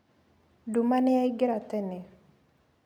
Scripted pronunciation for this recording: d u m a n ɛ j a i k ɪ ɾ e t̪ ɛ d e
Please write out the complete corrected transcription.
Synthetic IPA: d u m a n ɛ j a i ɡ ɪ ɾ a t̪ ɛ n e